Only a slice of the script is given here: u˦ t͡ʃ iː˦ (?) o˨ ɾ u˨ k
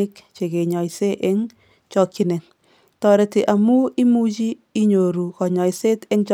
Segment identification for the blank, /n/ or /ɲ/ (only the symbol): ɲ